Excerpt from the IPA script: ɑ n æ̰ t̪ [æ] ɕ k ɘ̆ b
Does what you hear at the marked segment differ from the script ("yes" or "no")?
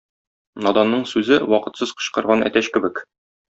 no